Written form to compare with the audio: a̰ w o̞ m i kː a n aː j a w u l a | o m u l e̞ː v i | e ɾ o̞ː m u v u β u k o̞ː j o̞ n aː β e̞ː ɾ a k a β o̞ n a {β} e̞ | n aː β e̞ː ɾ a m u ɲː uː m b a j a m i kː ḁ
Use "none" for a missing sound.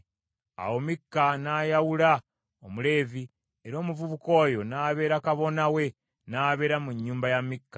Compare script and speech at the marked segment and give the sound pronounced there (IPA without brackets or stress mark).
w